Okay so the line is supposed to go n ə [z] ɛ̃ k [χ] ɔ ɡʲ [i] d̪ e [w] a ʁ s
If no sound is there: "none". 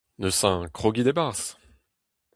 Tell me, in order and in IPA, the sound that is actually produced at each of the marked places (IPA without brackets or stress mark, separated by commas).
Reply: s, χ, i, b